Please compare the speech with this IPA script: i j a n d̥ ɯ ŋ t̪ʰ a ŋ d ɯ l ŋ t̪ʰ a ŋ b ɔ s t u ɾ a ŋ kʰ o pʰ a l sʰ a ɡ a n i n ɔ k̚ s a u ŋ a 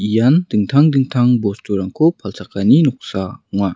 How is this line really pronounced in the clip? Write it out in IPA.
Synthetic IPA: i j a n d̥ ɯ ŋ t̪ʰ a ŋ d ɯ ŋ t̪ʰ a ŋ b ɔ s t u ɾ a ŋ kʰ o pʰ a l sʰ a k a n i n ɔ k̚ s a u ŋ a